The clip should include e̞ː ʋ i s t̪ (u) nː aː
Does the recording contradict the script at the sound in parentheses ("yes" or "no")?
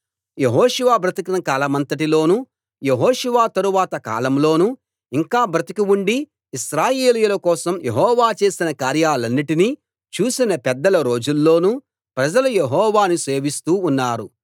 yes